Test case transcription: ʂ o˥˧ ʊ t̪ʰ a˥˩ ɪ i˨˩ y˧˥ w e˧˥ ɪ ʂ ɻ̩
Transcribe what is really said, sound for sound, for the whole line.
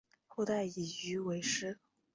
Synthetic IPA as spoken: x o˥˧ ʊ t̪ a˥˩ ɪ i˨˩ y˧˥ w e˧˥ ɪ ʂ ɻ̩

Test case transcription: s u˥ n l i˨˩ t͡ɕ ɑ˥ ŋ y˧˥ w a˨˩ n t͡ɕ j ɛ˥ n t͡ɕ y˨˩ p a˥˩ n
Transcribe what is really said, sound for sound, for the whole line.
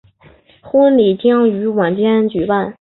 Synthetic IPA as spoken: x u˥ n l i˨˩ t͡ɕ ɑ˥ ŋ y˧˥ w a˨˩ n t͡ɕ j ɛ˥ n t͡ɕ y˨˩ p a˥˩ n

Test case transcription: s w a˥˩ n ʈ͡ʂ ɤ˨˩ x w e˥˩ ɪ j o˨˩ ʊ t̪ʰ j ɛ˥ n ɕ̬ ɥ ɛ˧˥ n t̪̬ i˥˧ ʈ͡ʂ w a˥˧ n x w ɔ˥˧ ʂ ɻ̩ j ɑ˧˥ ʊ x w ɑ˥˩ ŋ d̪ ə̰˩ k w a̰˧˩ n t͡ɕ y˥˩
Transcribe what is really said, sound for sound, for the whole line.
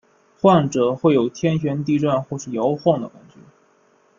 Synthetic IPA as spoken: x w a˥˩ n ʈ͡ʂ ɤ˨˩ x w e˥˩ ɪ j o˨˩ ʊ t̪ʰ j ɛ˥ n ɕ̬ ɥ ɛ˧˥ n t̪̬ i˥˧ ʈ͡ʂ w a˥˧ n x w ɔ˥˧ ʂ ɻ̩ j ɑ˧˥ ʊ x w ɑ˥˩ ŋ d̪ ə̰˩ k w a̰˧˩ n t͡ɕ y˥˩

